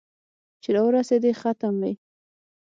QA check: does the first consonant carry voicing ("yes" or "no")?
no